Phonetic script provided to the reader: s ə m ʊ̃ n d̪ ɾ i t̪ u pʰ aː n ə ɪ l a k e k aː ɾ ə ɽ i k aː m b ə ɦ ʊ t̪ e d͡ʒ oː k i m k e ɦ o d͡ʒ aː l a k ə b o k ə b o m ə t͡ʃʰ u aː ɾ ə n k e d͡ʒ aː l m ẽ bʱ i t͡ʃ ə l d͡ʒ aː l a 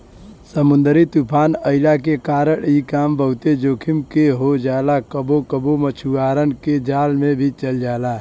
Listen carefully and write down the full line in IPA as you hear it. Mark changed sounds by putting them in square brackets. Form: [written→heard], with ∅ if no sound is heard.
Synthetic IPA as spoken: s ə m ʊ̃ n d̪ ɾ i t̪ u pʰ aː n ə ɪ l a k e k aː ɾ ə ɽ i k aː m b ə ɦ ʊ t̪ e d͡ʒ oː [k→kʰ] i m k e ɦ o d͡ʒ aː l a k ə b o k ə b o m ə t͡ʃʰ u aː ɾ ə n k e d͡ʒ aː l m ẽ bʱ i t͡ʃ ə l d͡ʒ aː l a